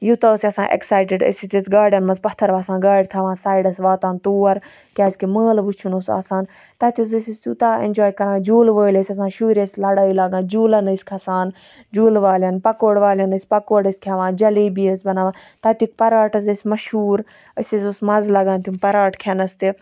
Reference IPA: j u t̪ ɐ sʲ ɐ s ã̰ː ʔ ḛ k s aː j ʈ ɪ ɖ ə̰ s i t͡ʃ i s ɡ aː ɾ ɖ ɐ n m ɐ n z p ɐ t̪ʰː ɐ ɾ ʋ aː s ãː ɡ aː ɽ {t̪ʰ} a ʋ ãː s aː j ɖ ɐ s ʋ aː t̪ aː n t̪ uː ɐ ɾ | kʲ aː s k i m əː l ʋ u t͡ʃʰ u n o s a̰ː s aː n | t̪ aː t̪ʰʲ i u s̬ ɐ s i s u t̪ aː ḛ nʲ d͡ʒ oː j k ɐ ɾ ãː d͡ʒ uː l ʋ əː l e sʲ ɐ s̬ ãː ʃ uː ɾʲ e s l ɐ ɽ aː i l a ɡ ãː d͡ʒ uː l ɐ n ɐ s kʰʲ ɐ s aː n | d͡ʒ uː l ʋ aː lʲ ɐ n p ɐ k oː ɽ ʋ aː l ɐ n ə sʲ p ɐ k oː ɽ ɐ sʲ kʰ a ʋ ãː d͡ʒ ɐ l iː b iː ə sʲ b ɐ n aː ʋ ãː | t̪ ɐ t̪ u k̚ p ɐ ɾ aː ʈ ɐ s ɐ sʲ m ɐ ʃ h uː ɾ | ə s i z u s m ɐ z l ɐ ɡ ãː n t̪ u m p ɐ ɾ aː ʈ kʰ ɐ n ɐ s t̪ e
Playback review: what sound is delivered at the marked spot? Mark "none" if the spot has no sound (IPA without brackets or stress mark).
t̪ʰ